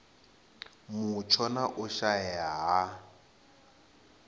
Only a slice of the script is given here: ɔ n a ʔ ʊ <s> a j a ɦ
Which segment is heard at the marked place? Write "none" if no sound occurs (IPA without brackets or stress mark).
ʃ